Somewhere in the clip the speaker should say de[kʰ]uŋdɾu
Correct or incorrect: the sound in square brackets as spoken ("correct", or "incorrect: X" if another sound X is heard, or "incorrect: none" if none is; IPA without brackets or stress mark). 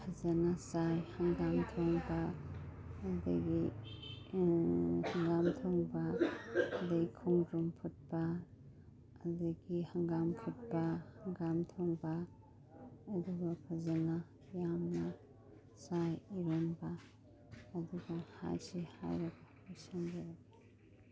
correct